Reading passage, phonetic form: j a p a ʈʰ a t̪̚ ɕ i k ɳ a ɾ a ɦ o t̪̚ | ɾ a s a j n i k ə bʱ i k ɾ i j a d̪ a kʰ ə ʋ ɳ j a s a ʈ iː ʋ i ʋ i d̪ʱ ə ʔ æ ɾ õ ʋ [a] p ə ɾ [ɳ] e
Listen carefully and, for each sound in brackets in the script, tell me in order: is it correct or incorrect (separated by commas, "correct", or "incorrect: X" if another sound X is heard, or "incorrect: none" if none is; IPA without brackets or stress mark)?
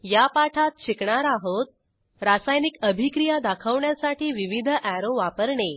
correct, correct